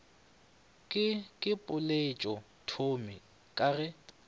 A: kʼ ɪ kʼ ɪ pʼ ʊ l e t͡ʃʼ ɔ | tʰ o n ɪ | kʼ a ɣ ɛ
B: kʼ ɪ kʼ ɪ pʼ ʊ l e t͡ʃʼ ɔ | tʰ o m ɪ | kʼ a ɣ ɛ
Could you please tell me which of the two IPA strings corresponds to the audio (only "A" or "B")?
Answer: B